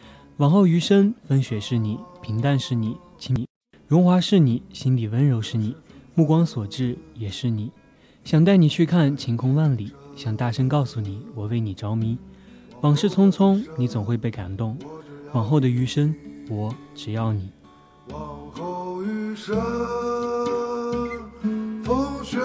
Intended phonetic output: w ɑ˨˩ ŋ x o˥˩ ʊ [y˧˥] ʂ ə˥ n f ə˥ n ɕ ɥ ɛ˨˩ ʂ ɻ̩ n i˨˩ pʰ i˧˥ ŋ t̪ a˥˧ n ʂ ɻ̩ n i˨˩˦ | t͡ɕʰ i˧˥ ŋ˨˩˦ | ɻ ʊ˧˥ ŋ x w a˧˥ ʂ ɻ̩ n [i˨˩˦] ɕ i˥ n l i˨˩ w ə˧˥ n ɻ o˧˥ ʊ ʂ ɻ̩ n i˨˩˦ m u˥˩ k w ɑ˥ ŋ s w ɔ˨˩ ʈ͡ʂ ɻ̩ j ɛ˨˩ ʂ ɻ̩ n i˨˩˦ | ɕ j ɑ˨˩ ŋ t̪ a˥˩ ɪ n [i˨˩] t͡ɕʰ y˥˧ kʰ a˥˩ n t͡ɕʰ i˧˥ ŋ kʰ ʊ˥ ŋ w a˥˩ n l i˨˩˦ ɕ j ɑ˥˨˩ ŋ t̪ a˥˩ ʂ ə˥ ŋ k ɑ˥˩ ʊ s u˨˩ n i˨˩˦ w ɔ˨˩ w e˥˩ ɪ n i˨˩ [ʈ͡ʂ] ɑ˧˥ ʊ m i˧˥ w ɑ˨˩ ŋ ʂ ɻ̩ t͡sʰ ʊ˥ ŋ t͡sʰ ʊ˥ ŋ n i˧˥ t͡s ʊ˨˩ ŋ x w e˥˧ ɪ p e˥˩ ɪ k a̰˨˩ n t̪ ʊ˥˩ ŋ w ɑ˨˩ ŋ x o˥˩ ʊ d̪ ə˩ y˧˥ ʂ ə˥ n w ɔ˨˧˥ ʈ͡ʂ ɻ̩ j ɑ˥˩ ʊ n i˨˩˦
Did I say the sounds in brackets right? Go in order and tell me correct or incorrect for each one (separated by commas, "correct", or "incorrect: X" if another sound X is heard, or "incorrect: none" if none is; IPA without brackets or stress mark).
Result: correct, correct, correct, correct